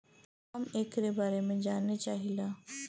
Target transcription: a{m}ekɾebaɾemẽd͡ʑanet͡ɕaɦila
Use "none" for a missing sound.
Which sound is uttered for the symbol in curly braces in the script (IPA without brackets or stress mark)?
m